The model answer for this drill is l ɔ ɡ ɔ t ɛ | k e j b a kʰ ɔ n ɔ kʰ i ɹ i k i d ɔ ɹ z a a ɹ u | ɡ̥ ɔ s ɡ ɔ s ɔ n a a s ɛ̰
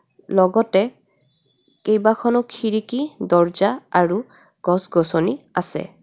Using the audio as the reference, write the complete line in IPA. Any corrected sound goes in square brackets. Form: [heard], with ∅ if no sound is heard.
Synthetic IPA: l ɔ ɡ ɔ t ɛ | k e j b a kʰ ɔ n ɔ kʰ i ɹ i k i d ɔ ɹ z a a ɹ u | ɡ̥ ɔ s ɡ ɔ s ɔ n [i] a s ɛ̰